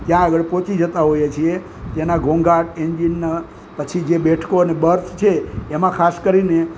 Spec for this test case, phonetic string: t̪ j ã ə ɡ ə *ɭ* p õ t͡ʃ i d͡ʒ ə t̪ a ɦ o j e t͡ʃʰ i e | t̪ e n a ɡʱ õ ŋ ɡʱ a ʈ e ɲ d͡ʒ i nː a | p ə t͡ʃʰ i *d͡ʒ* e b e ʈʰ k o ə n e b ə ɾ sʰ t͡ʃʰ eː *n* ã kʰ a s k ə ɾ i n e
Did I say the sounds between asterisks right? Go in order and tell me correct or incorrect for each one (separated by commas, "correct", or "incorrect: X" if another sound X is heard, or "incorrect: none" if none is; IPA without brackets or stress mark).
correct, correct, incorrect: m